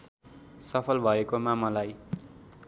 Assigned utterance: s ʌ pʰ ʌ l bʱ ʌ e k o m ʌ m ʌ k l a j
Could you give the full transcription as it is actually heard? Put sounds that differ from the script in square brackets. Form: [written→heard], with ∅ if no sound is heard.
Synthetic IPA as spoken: s ʌ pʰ ʌ l bʱ ʌ e k o m [ʌ→a] m ʌ [k→∅] l a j